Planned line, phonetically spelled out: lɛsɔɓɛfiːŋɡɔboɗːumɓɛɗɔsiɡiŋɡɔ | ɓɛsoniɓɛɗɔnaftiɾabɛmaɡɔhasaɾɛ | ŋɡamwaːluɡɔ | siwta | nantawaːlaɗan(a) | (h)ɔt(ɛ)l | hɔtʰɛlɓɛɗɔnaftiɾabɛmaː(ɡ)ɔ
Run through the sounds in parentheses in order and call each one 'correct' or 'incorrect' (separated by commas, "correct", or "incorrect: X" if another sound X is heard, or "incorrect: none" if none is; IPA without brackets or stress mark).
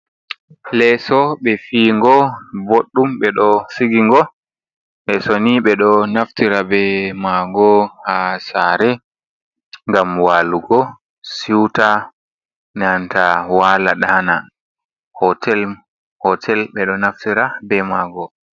correct, correct, correct, correct